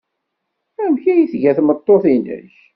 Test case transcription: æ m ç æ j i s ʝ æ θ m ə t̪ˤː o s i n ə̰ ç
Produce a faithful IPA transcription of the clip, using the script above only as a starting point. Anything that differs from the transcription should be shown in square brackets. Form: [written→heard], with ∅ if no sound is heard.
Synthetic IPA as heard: æ m ç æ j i [s→θ] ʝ æ θ m ə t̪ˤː o [s→θ] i n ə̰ ç